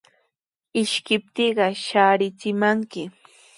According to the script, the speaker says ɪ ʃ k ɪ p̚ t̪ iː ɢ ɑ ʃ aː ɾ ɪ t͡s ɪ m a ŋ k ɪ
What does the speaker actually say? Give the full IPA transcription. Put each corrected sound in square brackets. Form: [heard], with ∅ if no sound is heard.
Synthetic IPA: ɪ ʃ k ɪ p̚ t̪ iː ɢ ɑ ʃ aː ɾ ɪ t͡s ɪ m a ŋ k ɪ